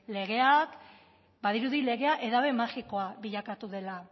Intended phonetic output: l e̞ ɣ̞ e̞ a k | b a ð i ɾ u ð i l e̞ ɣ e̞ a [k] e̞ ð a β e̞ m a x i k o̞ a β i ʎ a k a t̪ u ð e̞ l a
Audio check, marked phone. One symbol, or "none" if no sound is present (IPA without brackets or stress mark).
ʔ